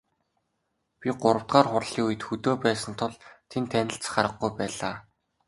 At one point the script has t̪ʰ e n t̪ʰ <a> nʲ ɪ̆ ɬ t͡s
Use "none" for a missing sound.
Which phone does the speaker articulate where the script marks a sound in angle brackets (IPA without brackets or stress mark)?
æ